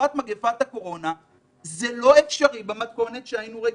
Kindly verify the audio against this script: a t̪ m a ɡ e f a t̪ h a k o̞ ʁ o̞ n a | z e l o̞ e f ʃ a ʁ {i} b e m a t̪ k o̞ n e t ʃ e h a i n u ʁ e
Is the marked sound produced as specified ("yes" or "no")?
yes